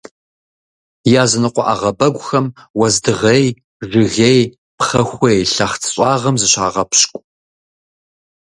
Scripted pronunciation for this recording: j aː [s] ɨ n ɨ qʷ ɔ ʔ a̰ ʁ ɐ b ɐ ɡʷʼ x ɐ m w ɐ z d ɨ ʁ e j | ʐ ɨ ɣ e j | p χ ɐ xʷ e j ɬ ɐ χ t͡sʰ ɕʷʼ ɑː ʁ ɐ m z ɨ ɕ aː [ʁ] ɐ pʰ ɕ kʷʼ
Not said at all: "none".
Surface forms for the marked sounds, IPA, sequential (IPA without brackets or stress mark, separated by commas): z, ʁ